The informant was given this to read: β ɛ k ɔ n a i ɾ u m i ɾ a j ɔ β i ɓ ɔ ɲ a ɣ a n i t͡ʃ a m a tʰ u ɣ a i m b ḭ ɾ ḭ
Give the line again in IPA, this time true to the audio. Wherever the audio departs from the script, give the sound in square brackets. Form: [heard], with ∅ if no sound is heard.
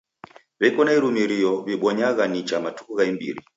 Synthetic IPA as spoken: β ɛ k ɔ n a i ɾ u m i ɾ [i] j ɔ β i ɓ ɔ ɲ a ɣ a n i t͡ʃ a m a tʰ u ɣ a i m b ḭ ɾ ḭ